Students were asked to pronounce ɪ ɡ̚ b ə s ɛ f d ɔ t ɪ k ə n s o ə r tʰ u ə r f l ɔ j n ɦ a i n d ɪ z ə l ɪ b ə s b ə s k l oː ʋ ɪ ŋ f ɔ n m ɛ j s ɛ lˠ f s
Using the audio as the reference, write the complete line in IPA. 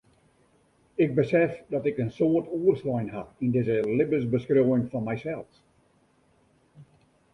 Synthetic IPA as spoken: ɪ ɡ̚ b ə s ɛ f d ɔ t ɪ k ə n s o ə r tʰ u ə r s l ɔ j n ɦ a i n d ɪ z ə l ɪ b ə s b ə s k r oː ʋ ɪ ŋ f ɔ n m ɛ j s ɛ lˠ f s